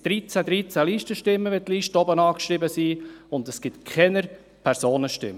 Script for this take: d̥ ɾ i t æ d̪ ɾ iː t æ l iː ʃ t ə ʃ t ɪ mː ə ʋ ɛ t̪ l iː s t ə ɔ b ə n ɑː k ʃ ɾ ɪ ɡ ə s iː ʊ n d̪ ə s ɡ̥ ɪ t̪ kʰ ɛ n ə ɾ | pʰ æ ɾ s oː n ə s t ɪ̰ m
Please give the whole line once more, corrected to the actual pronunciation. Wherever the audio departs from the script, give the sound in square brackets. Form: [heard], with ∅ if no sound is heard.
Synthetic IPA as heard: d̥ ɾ i [t͡s] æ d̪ ɾ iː [t͡s] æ l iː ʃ t ə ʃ t ɪ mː ə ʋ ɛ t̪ l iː [ʃ] t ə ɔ b ə n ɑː k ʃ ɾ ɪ [b] ə s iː ʊ n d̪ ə s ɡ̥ ɪ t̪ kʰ ɛ n ə ɾ | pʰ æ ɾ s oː n ə [ʃ] t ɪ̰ m